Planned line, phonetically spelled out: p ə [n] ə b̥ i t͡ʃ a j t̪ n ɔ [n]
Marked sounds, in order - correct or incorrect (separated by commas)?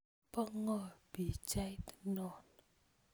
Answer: incorrect, correct